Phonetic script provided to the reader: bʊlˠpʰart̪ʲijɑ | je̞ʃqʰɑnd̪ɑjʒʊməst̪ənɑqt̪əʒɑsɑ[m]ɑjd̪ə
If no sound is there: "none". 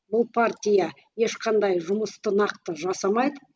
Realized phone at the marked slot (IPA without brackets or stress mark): m